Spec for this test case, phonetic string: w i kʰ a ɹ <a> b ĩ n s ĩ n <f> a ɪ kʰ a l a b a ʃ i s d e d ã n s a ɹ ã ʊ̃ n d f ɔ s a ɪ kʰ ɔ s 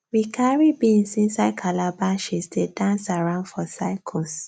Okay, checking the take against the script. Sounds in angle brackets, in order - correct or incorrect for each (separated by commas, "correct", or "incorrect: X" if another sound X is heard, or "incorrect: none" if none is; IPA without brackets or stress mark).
incorrect: i, incorrect: s